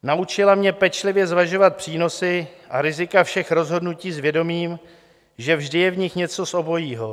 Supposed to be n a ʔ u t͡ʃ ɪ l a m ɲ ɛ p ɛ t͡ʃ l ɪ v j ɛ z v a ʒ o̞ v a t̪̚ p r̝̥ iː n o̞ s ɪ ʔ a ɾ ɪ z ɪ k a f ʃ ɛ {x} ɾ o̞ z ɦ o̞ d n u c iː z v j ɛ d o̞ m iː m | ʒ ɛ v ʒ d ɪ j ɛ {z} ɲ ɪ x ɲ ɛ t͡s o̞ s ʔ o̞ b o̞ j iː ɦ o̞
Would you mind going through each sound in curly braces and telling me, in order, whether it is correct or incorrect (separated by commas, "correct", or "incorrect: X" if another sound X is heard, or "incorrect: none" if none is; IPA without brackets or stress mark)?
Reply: correct, incorrect: v